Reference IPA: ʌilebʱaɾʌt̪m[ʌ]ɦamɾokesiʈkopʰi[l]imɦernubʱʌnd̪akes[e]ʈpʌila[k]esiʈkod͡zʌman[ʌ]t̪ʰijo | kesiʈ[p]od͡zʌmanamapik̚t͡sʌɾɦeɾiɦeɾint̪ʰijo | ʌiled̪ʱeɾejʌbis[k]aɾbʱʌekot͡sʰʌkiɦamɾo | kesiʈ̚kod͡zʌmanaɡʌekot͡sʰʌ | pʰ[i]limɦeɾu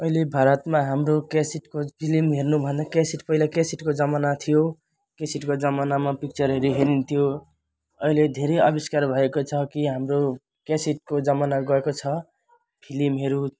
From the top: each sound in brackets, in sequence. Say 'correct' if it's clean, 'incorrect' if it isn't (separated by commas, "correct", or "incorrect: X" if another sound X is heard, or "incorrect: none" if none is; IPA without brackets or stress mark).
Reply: incorrect: a, correct, incorrect: i, correct, incorrect: a, incorrect: k, correct, correct